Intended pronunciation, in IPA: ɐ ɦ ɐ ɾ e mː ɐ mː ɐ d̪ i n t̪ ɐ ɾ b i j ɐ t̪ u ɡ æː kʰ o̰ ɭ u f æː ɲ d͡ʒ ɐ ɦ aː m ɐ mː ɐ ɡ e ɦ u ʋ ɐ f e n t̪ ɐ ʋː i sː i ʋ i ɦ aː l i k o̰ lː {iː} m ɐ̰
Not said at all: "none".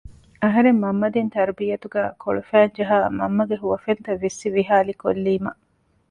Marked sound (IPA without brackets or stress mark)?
iː